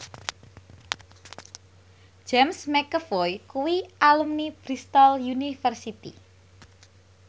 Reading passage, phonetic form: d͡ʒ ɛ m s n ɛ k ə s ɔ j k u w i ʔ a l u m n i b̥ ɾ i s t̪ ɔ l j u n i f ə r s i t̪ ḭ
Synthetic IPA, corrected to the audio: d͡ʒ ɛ m s m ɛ k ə f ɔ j k u w i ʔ a l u m n i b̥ ɾ i s t̪ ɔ l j u n i f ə r s i t̪ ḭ